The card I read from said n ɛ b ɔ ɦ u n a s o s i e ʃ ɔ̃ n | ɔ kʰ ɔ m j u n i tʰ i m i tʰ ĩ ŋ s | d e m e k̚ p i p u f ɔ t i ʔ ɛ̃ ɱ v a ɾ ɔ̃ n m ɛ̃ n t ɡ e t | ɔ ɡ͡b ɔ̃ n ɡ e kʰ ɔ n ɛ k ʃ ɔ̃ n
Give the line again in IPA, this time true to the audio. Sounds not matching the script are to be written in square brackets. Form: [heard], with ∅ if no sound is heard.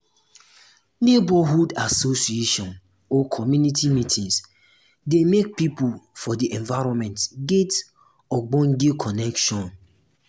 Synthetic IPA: n [e] b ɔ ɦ u [d] a s o s i e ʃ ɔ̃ n | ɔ kʰ ɔ m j u n i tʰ i m i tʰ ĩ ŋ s | d e m e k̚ p i p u f ɔ [d] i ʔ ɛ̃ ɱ v a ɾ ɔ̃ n m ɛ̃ n t ɡ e t | ɔ ɡ͡b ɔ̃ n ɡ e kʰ ɔ n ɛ k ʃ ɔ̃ n